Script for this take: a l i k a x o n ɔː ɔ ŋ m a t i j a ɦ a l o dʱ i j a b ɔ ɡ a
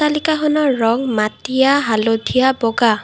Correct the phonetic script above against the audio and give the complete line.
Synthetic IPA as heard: a l i k a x ɔ n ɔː ɔ ŋ m a t i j a ɦ a l o dʱ i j a b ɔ ɡ a